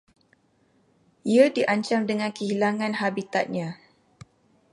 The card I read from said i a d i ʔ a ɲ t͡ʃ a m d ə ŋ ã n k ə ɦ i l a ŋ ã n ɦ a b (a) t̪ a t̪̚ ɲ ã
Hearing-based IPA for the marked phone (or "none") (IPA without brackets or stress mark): i